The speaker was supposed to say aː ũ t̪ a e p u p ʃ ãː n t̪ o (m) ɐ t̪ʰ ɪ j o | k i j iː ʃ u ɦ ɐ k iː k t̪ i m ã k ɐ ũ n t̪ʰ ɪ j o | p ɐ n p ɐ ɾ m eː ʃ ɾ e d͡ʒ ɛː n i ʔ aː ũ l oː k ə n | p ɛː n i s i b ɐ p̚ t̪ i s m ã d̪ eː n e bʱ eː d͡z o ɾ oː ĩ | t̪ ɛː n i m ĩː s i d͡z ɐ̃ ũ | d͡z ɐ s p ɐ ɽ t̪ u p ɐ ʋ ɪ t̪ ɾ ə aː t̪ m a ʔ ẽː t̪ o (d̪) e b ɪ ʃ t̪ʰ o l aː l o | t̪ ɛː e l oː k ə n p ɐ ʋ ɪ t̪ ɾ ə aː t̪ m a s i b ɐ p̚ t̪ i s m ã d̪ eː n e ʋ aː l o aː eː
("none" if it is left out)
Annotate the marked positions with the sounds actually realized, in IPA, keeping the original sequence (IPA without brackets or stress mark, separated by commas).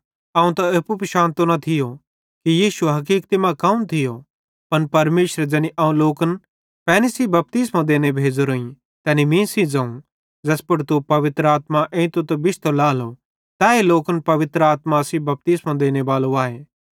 n, t̪